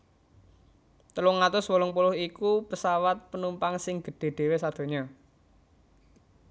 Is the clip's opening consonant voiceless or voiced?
voiceless